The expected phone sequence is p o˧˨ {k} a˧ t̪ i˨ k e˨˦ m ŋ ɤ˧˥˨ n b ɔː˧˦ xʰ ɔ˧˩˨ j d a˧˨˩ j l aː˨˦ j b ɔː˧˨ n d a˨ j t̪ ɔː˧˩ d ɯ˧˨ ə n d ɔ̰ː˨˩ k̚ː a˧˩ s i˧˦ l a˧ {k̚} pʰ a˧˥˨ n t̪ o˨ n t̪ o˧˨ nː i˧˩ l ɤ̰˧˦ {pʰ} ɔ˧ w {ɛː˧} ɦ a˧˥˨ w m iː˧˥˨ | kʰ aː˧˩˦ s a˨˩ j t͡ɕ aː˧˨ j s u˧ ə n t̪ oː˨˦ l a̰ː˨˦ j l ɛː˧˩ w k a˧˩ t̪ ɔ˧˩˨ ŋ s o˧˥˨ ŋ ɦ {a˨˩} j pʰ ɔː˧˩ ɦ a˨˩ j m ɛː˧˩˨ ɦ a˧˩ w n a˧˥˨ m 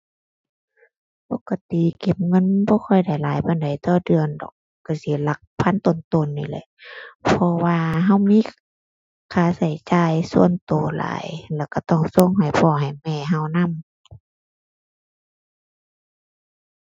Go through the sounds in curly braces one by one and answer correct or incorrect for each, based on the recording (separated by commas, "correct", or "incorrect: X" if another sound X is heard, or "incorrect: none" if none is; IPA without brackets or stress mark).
correct, correct, correct, incorrect: aː˧, correct